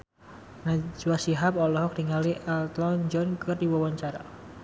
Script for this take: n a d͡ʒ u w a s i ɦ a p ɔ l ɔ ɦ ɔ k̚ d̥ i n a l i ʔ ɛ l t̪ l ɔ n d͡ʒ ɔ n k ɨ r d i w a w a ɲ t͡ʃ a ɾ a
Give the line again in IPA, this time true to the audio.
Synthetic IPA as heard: n a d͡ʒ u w a s i ɦ a p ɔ l ɔ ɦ ɔ k̚ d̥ i ŋ a l i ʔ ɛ l t̪ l ɔ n d͡ʒ ɔ n k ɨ r d i w a w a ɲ t͡ʃ a ɾ a